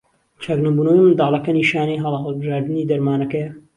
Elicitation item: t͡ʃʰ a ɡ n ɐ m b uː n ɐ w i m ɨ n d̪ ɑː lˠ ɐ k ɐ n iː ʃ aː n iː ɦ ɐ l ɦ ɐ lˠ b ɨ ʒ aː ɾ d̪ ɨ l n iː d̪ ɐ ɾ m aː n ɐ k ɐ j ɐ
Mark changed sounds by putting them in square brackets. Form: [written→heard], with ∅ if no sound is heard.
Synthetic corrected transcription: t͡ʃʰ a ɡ n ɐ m b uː n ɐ w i m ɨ n d̪ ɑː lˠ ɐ k ɐ n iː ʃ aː n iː ɦ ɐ l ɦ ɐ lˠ b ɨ ʒ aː ɾ d̪ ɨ [l→∅] n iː d̪ ɐ ɾ m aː n ɐ k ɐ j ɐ